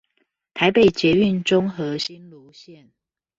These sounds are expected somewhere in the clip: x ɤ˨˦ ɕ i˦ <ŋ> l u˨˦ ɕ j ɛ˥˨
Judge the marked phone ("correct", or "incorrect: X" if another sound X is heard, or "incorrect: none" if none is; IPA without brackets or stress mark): incorrect: n